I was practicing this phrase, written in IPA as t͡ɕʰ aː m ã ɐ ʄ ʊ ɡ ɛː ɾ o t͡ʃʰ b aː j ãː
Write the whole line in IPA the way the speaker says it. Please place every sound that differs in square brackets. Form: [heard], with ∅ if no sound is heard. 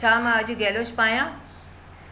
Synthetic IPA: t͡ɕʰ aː m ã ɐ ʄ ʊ ɡ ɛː [l] o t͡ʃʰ [p] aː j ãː